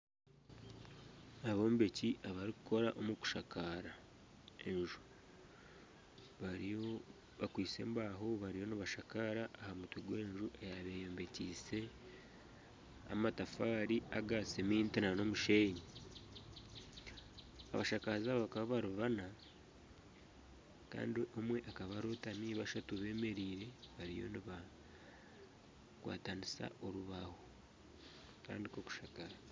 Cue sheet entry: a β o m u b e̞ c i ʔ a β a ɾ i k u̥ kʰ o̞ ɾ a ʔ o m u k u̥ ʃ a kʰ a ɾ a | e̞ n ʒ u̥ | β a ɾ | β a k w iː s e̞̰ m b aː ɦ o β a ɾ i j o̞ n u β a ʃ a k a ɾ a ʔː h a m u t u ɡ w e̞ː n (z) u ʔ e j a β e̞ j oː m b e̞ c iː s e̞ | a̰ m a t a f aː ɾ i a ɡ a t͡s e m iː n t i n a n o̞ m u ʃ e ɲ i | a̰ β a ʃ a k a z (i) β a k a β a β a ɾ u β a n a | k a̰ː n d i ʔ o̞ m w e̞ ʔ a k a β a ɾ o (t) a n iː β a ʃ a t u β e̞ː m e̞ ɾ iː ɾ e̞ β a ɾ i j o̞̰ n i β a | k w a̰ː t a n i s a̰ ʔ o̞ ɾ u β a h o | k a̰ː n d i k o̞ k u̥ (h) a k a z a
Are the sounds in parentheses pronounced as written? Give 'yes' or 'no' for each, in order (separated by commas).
no, no, yes, no